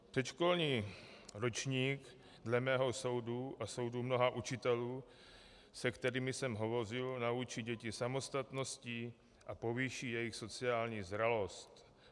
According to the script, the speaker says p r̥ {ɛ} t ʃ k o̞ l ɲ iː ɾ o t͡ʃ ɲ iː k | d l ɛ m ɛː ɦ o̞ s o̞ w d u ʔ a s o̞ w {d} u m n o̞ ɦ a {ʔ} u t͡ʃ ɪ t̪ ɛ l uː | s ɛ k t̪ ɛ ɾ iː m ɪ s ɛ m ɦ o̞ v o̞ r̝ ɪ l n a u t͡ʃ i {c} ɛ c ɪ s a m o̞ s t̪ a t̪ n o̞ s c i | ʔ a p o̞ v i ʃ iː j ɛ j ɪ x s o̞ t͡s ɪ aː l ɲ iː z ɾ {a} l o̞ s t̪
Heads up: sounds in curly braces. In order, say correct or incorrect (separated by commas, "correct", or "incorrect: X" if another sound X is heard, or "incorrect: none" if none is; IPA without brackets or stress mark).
correct, correct, correct, incorrect: ɟ, correct